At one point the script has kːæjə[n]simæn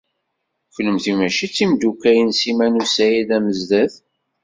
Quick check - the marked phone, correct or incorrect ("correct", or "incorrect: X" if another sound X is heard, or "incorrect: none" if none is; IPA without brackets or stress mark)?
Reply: correct